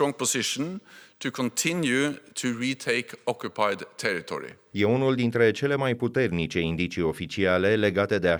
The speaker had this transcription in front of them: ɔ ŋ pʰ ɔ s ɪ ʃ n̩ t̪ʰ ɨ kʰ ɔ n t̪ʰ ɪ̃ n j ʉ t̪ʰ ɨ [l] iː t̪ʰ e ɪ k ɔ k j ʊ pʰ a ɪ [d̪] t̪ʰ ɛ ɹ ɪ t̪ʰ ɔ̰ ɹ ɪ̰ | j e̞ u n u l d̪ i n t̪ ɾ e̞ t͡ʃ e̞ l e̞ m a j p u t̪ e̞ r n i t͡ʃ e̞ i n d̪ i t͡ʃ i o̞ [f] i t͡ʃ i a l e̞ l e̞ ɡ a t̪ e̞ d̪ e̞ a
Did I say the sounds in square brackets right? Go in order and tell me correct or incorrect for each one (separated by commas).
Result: incorrect, correct, correct